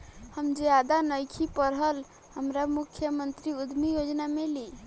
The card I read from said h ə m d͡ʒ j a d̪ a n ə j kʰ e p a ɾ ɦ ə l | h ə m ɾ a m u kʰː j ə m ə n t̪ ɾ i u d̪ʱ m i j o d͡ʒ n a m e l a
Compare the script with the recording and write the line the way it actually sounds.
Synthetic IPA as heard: h ə m d͡ʒ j a d̪ a n ə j kʰ i p ə ɾ ɦ ə l | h ə m ɾ a m u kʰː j ə m ə n t̪ ɾ i u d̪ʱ m i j o d͡ʒ n a m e l i